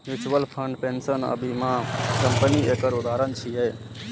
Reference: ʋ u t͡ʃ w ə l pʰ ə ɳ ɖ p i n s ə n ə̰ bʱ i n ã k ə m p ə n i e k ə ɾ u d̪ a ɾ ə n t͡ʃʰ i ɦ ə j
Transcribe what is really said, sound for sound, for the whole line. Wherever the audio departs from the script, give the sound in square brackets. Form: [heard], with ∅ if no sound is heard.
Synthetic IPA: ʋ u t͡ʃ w ə l pʰ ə ɳ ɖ p [e] n s ə n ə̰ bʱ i [m] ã k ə m p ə n i e k ə ɾ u d̪ a ɾ ə n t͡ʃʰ i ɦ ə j